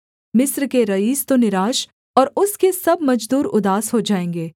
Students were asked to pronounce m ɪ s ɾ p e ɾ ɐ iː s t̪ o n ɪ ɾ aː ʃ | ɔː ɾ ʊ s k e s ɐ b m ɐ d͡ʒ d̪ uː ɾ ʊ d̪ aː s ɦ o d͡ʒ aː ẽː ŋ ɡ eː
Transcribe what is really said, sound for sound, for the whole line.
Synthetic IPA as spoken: m ɪ s ɾ k e ɾ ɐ iː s t̪ o n ɪ ɾ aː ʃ | ɔː ɾ ʊ s k e s ɐ b m ɐ d͡ʒ d̪ uː ɾ ʊ d̪ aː s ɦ o d͡ʒ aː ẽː ŋ ɡ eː